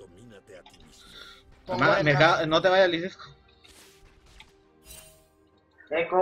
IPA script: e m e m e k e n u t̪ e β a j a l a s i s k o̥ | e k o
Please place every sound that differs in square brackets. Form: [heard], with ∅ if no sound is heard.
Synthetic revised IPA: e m [a] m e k [a] n [o] t̪ e β a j a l [i] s i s k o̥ | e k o